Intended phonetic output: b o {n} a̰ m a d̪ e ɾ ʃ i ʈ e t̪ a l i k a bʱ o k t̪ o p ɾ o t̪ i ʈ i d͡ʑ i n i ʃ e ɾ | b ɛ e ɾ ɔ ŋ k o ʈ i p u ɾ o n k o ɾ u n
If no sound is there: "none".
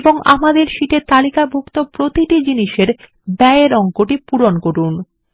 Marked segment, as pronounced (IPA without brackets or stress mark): ŋ